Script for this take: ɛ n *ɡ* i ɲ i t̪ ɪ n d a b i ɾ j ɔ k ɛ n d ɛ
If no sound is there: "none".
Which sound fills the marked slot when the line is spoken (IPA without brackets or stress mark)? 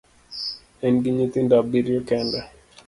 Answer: ɡ